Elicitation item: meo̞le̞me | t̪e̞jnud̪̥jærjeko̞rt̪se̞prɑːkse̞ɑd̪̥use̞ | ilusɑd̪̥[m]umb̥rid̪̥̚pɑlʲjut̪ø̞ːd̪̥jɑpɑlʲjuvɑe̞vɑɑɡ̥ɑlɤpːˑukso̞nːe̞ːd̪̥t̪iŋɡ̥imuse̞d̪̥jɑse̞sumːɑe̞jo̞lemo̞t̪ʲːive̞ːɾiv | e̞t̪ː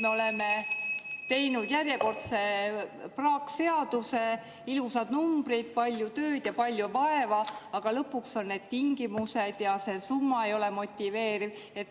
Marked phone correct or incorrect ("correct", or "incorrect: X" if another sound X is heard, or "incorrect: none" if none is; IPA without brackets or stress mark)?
incorrect: n